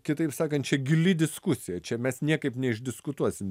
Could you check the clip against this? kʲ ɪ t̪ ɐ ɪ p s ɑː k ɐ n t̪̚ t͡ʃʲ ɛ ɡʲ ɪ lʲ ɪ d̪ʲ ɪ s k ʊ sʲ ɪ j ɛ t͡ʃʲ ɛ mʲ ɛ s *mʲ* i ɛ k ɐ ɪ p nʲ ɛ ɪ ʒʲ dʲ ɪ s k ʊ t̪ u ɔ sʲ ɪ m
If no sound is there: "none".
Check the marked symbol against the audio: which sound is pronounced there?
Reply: nʲ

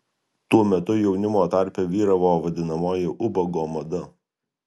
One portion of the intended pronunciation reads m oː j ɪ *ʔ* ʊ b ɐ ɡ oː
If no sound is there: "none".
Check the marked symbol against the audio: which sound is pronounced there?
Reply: ʔ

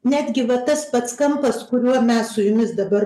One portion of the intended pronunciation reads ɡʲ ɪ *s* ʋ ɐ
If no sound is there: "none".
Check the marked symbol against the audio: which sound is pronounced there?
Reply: none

